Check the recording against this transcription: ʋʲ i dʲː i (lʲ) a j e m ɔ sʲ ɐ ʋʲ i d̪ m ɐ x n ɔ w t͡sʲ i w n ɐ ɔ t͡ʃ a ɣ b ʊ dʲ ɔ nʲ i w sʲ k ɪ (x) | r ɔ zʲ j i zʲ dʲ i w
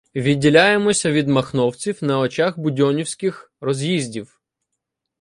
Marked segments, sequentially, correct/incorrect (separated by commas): correct, correct